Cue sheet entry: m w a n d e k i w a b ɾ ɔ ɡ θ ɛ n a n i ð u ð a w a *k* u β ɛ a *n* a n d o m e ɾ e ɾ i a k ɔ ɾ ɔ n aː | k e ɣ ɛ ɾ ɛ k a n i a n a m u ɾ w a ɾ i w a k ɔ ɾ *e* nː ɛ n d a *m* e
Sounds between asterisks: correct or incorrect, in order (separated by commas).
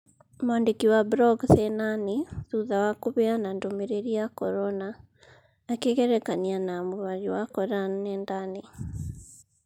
correct, correct, incorrect, incorrect